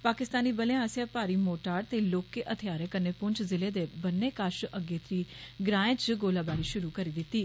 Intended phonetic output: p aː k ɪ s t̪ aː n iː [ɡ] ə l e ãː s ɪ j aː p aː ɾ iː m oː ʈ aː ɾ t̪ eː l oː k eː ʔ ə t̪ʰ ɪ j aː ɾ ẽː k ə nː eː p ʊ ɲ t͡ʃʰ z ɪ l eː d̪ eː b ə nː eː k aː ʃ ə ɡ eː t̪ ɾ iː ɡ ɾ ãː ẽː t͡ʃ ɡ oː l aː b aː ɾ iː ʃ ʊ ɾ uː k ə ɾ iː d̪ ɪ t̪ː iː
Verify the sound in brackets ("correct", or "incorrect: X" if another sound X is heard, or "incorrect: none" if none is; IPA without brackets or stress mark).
incorrect: b